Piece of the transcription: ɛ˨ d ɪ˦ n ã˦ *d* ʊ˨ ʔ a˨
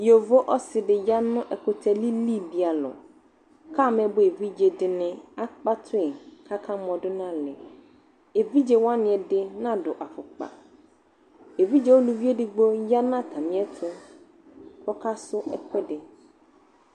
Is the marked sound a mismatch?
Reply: no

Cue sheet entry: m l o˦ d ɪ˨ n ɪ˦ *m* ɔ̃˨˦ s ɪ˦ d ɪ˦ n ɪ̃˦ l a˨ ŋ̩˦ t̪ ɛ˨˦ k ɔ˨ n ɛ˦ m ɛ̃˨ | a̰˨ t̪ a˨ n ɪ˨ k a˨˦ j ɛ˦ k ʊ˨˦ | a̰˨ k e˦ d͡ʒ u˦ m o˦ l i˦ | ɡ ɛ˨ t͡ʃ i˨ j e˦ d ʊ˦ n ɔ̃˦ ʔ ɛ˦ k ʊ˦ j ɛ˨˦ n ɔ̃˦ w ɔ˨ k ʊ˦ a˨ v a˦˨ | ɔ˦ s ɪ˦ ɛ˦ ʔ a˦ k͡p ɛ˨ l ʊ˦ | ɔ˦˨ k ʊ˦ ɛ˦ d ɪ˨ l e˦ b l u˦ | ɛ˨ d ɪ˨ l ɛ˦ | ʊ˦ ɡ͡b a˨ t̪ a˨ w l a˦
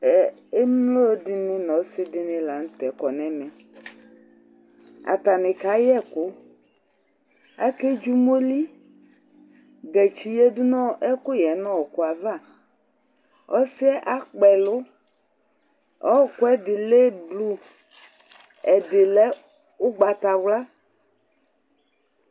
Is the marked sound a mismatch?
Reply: yes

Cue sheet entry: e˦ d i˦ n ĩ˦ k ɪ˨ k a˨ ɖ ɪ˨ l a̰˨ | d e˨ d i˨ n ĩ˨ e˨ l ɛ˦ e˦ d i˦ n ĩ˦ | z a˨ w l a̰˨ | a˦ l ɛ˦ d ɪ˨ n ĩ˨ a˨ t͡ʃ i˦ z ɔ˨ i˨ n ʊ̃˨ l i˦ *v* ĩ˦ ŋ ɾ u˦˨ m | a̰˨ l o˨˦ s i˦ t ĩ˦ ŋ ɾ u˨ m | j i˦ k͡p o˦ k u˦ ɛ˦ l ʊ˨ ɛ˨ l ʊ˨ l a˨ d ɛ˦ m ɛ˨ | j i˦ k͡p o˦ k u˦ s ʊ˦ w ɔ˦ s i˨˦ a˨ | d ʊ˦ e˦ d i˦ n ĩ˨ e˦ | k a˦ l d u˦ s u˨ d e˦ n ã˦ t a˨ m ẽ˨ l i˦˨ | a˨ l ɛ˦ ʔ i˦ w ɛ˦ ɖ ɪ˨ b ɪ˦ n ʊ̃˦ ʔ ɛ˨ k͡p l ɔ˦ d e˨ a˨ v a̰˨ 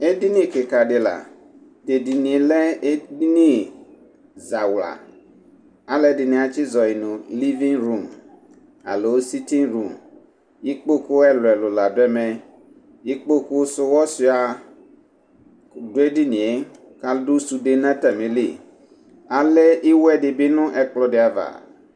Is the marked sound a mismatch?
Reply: no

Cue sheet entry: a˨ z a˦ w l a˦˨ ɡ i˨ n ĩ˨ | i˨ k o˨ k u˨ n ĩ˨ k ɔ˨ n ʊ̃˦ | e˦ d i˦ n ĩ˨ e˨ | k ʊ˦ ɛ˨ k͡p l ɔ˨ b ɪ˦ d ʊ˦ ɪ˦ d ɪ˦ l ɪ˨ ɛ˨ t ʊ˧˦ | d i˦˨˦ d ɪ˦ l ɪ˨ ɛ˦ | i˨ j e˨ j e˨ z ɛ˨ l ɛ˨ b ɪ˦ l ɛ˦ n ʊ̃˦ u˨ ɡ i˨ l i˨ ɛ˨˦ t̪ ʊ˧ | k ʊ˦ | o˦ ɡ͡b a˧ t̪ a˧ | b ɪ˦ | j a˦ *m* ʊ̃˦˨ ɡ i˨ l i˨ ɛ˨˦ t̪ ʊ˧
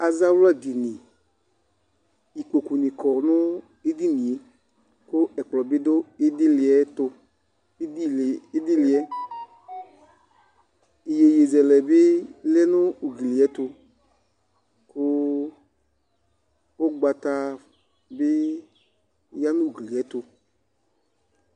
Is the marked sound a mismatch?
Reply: yes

